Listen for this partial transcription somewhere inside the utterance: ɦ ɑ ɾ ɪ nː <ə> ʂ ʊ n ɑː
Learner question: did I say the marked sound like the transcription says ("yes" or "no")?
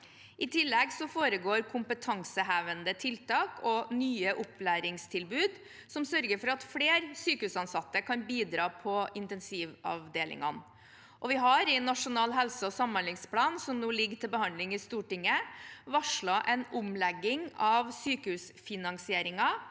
no